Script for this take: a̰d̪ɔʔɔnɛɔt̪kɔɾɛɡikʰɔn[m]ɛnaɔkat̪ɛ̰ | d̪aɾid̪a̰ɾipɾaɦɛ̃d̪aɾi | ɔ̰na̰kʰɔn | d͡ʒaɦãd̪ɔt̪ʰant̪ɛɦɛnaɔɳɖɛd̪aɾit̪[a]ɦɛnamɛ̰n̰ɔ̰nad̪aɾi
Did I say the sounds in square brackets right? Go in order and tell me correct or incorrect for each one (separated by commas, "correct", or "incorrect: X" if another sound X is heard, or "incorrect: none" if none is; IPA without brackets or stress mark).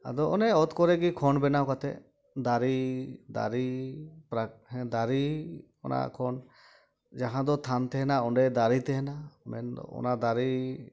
incorrect: b, incorrect: ɛ